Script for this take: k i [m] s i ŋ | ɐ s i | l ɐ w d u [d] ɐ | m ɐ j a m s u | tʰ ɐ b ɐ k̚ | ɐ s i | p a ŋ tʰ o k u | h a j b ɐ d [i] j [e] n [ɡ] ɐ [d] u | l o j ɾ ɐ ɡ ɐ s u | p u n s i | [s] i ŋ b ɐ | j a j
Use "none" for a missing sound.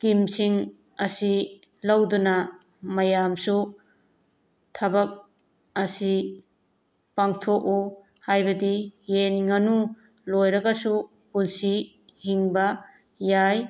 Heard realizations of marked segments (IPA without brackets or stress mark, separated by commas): m, n, i, e, ŋ, n, h